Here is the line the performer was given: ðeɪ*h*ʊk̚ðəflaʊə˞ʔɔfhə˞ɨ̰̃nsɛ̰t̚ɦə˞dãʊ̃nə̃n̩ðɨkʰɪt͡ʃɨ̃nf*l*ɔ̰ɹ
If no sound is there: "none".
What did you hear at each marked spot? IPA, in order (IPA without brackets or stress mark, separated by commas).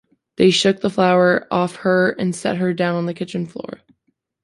ʃ, l